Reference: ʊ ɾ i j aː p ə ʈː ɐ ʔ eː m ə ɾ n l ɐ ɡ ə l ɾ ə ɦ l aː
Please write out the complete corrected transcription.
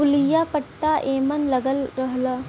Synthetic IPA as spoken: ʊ l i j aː p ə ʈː a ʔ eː m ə n l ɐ ɡ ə l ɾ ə ɦ l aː